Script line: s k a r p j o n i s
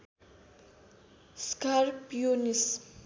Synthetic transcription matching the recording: s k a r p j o n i s